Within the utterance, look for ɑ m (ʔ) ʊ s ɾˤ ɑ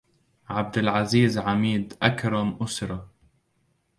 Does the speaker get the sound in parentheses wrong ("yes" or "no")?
no